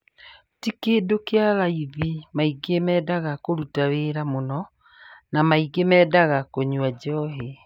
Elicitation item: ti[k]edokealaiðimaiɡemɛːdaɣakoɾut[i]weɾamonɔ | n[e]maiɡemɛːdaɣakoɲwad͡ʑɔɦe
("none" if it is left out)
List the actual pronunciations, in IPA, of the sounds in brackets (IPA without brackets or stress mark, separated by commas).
k, a, a